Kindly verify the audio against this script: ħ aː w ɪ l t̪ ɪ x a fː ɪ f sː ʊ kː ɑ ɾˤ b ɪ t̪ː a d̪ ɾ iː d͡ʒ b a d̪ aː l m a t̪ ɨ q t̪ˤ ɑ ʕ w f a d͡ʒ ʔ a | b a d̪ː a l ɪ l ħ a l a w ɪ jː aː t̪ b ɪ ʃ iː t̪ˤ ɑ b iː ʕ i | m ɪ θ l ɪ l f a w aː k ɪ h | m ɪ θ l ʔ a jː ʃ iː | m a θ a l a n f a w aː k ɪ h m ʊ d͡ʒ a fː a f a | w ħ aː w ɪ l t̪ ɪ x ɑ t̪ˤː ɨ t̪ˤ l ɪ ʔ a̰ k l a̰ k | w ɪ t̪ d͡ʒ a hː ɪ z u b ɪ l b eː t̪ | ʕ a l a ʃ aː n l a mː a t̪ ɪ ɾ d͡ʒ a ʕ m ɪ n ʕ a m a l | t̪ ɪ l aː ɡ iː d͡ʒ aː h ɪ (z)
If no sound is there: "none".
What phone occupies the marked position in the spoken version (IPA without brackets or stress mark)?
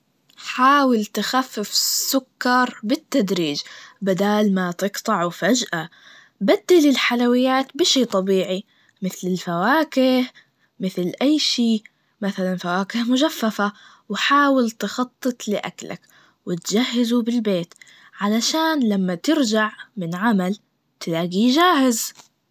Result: z